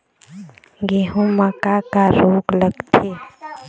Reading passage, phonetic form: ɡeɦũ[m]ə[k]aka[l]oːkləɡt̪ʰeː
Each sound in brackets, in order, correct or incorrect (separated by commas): correct, correct, incorrect